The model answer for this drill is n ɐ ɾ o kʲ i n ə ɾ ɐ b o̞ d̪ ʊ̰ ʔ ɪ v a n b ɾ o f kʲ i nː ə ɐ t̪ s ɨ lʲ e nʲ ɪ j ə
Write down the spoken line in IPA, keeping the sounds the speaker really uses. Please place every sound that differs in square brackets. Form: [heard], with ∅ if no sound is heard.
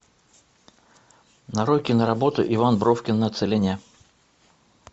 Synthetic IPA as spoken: n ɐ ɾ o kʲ [ɪ] n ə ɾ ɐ b o̞ [t̪] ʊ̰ ʔ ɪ v a n b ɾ o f kʲ [ɪ] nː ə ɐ t̪ s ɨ lʲ e nʲ ɪ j ə